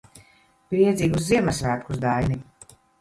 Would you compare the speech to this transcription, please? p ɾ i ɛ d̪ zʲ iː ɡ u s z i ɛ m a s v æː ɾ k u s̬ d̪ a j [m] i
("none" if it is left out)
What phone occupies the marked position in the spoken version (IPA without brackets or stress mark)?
n